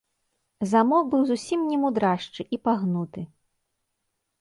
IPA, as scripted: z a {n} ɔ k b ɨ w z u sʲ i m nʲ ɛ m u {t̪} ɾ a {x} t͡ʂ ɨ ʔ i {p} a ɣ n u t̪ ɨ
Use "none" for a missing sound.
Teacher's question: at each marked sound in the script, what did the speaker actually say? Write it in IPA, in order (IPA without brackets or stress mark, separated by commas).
m, d̪, ʂ, p